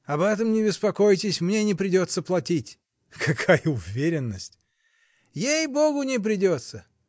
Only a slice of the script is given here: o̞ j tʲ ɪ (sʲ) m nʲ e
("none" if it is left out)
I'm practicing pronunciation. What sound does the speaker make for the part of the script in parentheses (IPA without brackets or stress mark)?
sʲ